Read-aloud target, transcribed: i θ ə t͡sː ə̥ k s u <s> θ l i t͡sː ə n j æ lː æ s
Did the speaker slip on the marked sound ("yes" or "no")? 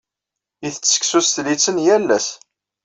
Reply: no